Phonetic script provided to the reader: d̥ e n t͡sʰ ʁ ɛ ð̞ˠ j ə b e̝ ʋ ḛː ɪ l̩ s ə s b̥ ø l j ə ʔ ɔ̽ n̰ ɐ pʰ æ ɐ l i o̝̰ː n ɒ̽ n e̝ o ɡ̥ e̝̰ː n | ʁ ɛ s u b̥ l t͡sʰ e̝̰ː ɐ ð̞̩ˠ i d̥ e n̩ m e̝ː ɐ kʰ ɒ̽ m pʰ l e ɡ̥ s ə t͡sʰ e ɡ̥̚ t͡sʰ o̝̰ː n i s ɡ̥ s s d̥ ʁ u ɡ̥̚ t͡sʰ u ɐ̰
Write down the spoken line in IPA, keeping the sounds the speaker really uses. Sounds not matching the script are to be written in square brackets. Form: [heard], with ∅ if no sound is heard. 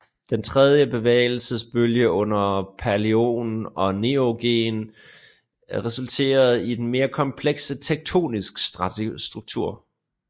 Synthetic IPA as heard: d̥ e n t͡sʰ ʁ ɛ ð̞ˠ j ə b e̝ ʋ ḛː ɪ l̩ s ə s b̥ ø l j ə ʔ ɔ̽ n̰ ɐ pʰ æ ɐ l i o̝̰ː n ɒ̽ n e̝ o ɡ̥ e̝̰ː n | ʁ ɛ s u [∅] l t͡sʰ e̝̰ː ɐ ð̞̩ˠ i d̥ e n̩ m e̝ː ɐ kʰ ɒ̽ m pʰ l e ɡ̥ s ə t͡sʰ e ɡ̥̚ t͡sʰ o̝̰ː n i s ɡ̥ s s d̥ ʁ u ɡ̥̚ t͡sʰ u ɐ̰

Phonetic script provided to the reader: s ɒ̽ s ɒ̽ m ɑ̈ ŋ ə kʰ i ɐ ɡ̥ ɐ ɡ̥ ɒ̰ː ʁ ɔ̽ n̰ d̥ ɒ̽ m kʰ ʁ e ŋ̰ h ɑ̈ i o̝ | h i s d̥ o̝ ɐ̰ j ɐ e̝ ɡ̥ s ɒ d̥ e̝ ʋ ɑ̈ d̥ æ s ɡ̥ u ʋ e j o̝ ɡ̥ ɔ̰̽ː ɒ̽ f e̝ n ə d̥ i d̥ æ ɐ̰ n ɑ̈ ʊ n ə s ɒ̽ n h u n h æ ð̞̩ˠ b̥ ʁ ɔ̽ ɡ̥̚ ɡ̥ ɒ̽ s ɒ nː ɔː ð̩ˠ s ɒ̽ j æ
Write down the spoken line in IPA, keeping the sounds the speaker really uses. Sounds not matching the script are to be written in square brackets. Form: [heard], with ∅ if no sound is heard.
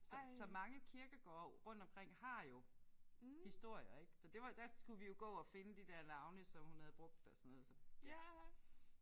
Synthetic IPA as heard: s ɒ̽ s ɒ̽ m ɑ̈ ŋ ə kʰ i ɐ ɡ̥ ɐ ɡ̥ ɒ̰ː ʁ ɔ̽ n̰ d̥ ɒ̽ m kʰ ʁ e ŋ̰ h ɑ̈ [j] o̝ | h i s d̥ o̝ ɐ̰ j ɐ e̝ ɡ̥ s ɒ d̥ e̝ ʋ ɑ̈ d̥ æ s ɡ̥ u ʋ [i] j o̝ ɡ̥ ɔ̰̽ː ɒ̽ f e̝ n ə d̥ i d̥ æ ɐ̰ n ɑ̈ ʊ n ə s ɒ̽ [m] h u n h æ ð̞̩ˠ b̥ ʁ ɔ̽ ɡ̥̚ [d̥] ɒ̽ s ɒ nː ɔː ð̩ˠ s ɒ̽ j æ

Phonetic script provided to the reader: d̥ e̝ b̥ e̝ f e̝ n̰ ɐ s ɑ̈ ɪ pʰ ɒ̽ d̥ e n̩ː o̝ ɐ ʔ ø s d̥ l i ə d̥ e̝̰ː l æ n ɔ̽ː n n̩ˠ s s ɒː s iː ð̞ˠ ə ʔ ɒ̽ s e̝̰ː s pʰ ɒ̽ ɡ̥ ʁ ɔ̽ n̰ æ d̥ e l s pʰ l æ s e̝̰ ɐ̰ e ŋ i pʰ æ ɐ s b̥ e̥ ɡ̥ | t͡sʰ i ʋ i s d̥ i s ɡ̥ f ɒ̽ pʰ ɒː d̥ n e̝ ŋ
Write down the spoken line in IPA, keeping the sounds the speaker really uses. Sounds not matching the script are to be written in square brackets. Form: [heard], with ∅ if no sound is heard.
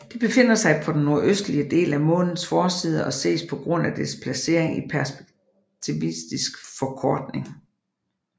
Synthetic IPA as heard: d̥ e̝ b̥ e̝ f e̝ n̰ ɐ s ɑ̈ ɪ pʰ ɒ̽ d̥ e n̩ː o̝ ɐ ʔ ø s d̥ l i ə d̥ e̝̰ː l æ [m] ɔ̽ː n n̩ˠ s [f] ɒː s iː ð̞ˠ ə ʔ ɒ̽ s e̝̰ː s pʰ ɒ̽ ɡ̥ ʁ ɔ̽ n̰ æ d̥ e [∅] s pʰ l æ s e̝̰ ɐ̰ e ŋ i pʰ æ ɐ s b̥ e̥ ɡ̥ | t͡sʰ i ʋ i s d̥ i s ɡ̥ f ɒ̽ [kʰ] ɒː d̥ n e̝ ŋ

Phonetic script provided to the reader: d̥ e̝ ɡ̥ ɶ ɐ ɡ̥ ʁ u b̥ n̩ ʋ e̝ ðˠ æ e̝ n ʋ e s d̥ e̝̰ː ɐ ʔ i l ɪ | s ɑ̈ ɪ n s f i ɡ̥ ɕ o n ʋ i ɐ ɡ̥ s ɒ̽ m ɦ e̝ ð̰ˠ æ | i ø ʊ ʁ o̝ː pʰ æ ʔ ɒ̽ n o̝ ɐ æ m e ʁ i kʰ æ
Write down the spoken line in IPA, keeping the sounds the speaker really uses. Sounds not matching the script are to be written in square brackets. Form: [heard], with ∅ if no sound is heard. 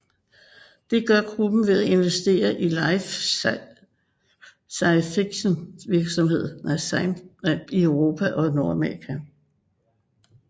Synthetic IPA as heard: d̥ e̝ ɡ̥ ɶ ɐ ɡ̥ ʁ u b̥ n̩ ʋ e̝ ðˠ æ e̝ n ʋ e s d̥ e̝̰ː ɐ ʔ i l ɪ | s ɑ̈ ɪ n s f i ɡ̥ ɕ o n ʋ i ɐ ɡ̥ s ɒ̽ m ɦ e̝ ð̰ˠ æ | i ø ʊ ʁ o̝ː pʰ æ ʔ ɒ̽ n o̝ ɐ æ m e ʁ i kʰ æ

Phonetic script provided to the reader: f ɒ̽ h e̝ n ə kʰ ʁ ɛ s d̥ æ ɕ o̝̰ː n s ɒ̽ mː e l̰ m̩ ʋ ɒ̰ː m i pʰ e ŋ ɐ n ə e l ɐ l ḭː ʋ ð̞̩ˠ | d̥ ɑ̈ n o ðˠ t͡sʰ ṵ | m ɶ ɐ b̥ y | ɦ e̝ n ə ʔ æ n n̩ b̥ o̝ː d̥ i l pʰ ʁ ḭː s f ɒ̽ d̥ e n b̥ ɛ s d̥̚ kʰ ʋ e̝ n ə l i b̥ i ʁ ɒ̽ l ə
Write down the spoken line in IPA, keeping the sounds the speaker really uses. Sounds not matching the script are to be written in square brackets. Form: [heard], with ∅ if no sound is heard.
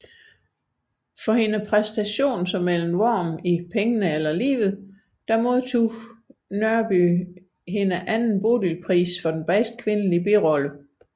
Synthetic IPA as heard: f ɒ̽ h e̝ n ə [pʰ] ʁ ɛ s d̥ æ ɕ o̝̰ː n s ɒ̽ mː e l̰ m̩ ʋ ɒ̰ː m i pʰ e ŋ [ə] n ə e l ɐ l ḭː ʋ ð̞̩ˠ | d̥ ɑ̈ [m] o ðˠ t͡sʰ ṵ | [n] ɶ ɐ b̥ y | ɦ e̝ n ə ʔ æ n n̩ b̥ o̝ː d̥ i l pʰ ʁ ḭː s f ɒ̽ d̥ e n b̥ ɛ s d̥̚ kʰ ʋ e̝ n ə l i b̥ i ʁ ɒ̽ l ə

